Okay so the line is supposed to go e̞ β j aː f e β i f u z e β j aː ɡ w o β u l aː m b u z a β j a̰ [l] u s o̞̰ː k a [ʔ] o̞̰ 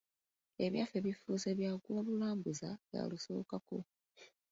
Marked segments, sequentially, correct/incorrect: correct, incorrect: k

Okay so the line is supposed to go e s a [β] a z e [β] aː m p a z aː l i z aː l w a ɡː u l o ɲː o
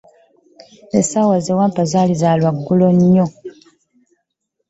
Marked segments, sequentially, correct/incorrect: incorrect: w, incorrect: w

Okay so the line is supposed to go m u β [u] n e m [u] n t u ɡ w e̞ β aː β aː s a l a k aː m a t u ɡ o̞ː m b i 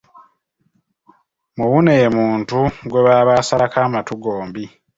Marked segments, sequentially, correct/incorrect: correct, incorrect: uː

